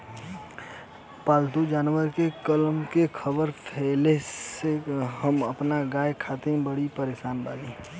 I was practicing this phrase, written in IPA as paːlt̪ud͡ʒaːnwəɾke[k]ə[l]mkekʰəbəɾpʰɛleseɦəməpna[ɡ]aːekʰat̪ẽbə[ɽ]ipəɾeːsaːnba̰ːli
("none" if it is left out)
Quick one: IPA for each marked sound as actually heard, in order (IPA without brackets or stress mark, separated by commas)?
k, l, ɡ, ɽ